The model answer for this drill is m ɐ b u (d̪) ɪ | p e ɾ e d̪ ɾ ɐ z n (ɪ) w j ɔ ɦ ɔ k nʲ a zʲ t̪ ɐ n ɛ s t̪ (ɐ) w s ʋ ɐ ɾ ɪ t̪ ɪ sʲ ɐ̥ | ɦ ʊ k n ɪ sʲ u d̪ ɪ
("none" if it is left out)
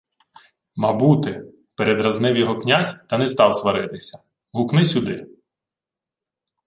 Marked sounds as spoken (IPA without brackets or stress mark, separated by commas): t̪, ɪ, ɑ